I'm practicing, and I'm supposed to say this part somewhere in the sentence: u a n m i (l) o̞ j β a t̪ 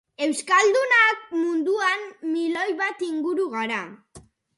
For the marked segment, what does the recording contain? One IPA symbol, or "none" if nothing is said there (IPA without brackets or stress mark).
l